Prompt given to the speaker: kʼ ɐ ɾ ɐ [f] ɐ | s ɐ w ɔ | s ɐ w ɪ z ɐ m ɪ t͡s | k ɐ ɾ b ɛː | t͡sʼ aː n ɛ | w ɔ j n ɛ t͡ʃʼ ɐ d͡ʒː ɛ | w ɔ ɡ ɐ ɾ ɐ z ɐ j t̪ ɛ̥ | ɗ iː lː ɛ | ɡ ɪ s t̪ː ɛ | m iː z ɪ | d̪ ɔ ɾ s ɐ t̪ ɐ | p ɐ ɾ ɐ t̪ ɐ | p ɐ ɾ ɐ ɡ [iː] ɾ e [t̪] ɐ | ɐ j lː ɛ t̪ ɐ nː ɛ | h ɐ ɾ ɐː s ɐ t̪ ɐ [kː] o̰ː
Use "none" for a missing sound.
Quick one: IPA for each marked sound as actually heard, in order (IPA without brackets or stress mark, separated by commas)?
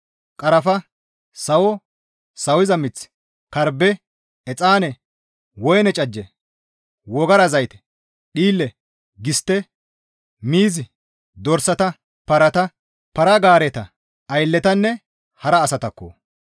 f, aː, t̪, kː